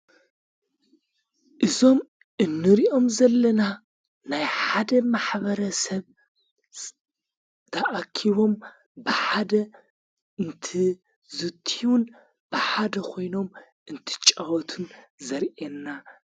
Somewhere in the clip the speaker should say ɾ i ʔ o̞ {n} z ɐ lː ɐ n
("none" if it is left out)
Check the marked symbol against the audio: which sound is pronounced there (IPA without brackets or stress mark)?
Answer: m